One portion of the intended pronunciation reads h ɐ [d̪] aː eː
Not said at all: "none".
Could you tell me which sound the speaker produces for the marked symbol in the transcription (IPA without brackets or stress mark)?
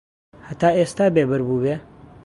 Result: t̪